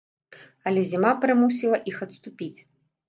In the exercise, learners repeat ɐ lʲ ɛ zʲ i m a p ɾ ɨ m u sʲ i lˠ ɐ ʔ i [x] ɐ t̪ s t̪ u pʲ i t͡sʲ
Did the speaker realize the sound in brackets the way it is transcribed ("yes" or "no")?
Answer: yes